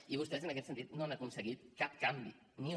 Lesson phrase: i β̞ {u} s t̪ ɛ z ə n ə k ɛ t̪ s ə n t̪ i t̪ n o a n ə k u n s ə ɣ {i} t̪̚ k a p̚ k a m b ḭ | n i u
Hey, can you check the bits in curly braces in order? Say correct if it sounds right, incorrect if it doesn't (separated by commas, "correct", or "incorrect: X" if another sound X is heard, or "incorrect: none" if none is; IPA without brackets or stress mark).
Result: correct, correct